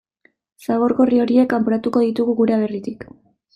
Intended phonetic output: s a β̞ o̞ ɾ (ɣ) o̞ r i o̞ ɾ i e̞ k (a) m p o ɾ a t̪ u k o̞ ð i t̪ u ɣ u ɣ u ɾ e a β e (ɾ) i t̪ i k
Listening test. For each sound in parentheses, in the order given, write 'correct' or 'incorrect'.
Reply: correct, correct, incorrect: r

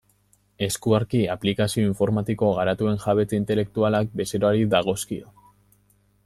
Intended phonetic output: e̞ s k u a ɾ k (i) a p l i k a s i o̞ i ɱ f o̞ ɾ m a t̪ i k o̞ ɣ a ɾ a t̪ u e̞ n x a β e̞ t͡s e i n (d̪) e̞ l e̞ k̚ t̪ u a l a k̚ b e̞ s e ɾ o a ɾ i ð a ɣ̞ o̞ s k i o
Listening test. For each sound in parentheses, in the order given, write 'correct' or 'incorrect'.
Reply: correct, incorrect: t̪

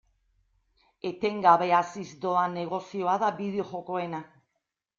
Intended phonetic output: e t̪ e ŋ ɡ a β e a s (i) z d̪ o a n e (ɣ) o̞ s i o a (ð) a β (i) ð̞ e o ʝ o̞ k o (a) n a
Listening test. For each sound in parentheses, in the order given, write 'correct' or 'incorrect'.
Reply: correct, correct, correct, correct, incorrect: e

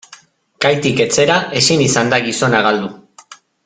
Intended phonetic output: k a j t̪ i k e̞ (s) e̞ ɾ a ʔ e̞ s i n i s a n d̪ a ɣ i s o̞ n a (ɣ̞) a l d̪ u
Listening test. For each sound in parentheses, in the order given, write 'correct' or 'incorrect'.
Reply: incorrect: t͡s, correct

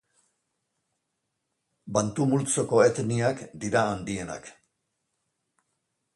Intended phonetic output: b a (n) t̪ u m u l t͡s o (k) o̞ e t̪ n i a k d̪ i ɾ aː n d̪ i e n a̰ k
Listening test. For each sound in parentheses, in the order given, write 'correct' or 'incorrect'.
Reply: correct, correct

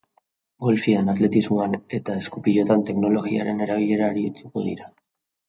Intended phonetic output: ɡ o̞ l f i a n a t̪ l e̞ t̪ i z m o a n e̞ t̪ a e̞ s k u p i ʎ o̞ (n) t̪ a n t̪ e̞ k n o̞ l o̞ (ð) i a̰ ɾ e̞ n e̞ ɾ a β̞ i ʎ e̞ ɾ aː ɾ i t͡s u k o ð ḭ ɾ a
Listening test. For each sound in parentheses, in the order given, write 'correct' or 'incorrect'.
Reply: incorrect: none, incorrect: ɣ

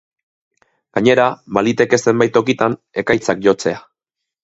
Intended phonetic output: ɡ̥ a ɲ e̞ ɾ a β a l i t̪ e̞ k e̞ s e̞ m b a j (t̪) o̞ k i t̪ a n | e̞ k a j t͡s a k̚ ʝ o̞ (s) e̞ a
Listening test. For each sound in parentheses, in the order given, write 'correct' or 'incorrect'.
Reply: correct, incorrect: t͡s

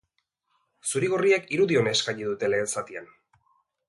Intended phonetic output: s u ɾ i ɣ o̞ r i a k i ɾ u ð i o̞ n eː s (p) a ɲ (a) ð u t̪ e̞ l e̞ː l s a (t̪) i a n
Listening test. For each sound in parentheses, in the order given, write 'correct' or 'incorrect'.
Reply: incorrect: k, incorrect: i, correct

